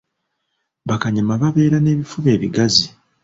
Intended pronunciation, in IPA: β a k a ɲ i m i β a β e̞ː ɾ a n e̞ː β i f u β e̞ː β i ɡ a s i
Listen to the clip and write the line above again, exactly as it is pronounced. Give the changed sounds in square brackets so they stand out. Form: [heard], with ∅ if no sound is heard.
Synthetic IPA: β a k a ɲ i m [a] β a β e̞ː ɾ a n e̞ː β i f u β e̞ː β i ɡ a [z] i

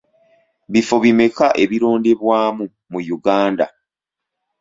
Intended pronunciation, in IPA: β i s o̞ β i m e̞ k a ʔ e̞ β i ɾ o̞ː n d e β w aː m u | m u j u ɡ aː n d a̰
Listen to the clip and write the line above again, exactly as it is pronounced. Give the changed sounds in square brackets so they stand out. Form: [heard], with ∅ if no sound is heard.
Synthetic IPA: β i [f] o̞ β i m e̞ k a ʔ e̞ β i ɾ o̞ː n d e β w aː m u | m u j u ɡ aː n d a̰

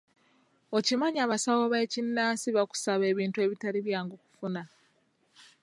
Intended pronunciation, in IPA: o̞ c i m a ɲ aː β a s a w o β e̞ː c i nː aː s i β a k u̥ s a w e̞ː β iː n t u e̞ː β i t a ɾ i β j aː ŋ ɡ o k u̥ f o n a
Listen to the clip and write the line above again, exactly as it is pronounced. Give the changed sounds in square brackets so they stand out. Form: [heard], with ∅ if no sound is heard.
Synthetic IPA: o̞ c i m a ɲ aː β a s a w o β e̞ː c i nː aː s i β a k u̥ s a [β] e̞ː β iː n t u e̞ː β i t a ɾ i β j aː ŋ ɡ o k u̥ f [u] n a

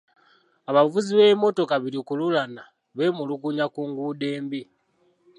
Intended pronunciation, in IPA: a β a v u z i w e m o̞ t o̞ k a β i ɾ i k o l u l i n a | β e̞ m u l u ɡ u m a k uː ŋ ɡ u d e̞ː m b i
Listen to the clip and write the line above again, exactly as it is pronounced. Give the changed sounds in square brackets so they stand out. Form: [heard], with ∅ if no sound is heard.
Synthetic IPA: a β a v u z i [β] e m o̞ t o̞ k a β i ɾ i k [u] l u l [a] n a | β e̞ m u l u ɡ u [ɲ] a k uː ŋ ɡ u d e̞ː m b i

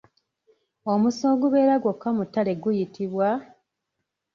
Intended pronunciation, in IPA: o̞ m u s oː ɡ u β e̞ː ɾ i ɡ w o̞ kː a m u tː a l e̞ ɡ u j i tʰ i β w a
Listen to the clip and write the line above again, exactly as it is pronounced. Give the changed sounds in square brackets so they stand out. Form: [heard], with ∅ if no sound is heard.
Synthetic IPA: o̞ m u s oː ɡ u β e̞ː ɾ [a] ɡ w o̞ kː a m u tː a l e̞ ɡ u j i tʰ i β w a

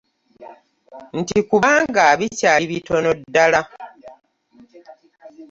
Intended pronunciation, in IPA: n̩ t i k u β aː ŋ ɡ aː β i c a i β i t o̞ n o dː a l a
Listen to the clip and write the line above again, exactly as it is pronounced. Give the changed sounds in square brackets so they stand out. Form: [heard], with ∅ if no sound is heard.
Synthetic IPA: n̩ t i k u β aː ŋ ɡ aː β i c a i β i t o̞ n o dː a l a

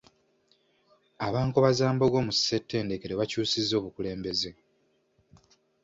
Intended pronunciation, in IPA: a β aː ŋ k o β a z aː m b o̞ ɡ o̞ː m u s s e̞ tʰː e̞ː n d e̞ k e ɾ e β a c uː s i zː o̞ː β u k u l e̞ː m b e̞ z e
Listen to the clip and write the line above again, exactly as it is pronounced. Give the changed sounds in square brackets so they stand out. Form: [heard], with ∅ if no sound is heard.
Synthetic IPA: a β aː ŋ k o β a z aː m b o̞ ɡ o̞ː m u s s e̞ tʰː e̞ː n d e̞ k e ɾ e β a c uː s i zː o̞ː β u k u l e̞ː m b e̞ z e

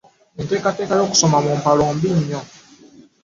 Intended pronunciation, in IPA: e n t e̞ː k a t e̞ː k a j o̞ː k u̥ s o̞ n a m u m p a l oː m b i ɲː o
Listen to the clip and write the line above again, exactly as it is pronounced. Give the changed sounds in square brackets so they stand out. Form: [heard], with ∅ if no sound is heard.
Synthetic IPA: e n t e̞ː k a t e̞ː k a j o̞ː k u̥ s o̞ [m] a m u m p a l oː m b i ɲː o

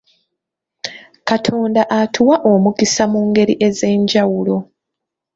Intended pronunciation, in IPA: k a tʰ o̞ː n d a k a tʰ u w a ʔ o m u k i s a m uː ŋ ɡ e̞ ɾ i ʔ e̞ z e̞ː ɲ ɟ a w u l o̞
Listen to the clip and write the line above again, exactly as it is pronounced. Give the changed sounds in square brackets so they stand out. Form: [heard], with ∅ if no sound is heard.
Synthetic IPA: k a tʰ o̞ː n d a [ʔ] a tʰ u w a ʔ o m u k i s a m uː ŋ ɡ e̞ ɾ i ʔ e̞ z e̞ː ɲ ɟ a w u l o̞

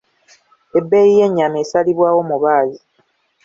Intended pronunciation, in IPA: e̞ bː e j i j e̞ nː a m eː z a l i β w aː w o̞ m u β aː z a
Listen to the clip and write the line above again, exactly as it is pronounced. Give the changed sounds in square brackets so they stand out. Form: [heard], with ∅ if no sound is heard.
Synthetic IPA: e̞ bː e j i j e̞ [ɲː] a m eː [s] a l i β w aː w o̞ m u β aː z [i]

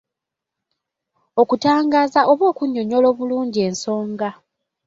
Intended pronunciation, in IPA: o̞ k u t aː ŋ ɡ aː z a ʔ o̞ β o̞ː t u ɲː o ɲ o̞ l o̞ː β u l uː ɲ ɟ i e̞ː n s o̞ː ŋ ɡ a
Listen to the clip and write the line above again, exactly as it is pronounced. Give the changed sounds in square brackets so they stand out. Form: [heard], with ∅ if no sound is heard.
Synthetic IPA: o̞ k u t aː ŋ ɡ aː z a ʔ o̞ β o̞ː [k] u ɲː o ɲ o̞ l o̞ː β u l uː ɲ ɟ i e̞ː n s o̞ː ŋ ɡ a

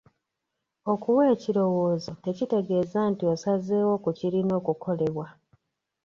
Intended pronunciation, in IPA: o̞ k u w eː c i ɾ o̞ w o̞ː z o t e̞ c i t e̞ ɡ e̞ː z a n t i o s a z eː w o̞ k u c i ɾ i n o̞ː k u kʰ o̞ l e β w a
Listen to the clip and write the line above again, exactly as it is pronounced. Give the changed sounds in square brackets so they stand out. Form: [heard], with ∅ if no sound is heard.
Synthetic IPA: o̞ k u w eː c i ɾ o̞ w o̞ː z o t e̞ c i t e̞ ɡ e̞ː z a n t i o s a z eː w o̞ k u c i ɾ i n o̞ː k u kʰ o̞ l e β w a

